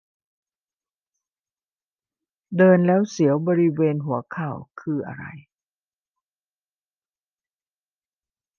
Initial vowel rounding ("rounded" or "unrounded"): unrounded